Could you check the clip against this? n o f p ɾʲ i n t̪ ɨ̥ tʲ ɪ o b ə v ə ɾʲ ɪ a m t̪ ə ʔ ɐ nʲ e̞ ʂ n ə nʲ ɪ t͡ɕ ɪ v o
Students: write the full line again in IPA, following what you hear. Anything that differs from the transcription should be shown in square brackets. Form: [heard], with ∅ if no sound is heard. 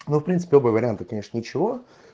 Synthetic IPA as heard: n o f p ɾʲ i n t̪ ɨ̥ [pʲ] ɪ o b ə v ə ɾʲ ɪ a [n] t̪ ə [k] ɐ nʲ e̞ ʂ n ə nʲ ɪ t͡ɕ ɪ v o